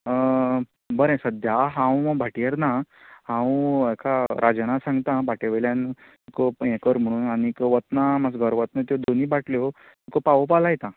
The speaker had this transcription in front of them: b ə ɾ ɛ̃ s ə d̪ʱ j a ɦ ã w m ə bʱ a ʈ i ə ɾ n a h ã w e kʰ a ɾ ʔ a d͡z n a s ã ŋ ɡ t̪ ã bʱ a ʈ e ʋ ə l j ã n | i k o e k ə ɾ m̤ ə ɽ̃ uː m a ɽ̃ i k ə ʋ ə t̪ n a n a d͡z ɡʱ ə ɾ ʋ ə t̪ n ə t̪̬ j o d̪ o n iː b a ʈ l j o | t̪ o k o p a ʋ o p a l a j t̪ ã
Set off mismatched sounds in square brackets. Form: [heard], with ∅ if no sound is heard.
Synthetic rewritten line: b ə ɾ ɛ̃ s ə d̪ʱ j a ɦ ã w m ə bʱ a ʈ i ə ɾ n a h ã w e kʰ a ɾ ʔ a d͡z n a s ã ŋ ɡ t̪ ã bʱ a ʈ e ʋ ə l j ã n | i k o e k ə ɾ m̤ ə ɽ̃ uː [n] a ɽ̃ i k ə ʋ ə t̪ n a [m] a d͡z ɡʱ ə ɾ ʋ ə t̪ n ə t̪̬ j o d̪ o n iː b a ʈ l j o | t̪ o k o p a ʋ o p a l a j t̪ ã